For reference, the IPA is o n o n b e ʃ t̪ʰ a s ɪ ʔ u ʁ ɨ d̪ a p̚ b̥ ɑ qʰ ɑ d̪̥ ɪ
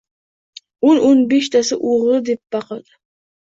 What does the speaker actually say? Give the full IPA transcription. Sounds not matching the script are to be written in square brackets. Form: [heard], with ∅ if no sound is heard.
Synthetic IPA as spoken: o n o n b e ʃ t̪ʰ a s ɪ ʔ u ʁ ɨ d̪ [e] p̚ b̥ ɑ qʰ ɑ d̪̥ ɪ